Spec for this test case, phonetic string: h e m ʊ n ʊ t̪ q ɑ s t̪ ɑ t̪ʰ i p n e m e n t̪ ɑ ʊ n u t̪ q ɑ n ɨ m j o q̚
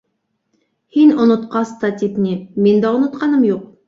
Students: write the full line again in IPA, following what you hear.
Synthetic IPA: h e n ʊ n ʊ t̪ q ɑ s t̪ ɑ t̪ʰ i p n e m e n d̪ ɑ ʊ n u t̪ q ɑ n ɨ m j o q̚